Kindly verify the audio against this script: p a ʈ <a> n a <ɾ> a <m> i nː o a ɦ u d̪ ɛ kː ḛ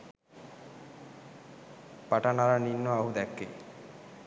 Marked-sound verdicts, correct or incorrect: correct, correct, incorrect: n

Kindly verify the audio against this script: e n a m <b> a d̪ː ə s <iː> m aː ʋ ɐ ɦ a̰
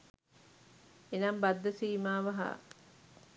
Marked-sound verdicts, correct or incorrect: correct, correct

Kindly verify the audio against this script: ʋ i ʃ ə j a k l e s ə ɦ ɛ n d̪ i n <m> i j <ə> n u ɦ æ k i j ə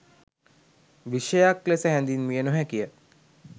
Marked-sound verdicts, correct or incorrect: correct, correct

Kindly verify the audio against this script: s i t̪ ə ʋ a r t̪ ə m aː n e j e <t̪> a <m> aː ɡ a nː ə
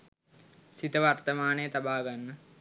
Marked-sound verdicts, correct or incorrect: correct, incorrect: b

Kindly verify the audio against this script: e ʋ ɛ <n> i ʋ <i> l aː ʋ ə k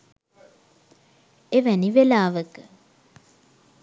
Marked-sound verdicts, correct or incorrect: correct, incorrect: e

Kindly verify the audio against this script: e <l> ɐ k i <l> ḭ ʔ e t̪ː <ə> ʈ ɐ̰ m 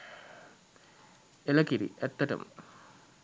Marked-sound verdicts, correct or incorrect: correct, incorrect: ɾ, incorrect: ɐ

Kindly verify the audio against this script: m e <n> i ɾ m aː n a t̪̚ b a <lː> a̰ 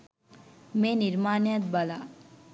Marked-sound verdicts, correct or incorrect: correct, incorrect: l

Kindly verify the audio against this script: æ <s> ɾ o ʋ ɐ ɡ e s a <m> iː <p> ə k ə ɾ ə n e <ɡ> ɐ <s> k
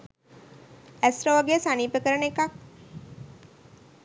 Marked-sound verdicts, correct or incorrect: correct, incorrect: n, correct, incorrect: k, incorrect: none

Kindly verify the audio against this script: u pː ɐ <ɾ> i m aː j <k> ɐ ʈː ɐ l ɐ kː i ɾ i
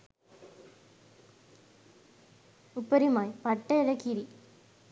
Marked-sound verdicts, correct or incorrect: correct, incorrect: p

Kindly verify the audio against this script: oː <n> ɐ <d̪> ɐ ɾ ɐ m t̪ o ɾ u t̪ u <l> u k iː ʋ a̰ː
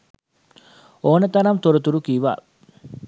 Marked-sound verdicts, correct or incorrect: correct, incorrect: t̪, incorrect: ɾ

